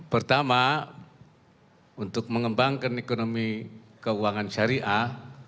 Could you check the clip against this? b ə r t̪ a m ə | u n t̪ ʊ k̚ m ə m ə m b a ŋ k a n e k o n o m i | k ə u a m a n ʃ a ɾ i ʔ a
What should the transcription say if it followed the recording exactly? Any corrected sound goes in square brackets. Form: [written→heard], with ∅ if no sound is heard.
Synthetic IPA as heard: [b→p] ə r t̪ a m [ə→a] | u n t̪ ʊ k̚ m ə [m→ŋ] ə m b a ŋ k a n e k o n o m i | k ə u a [m→ŋ] a n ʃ a ɾ i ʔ a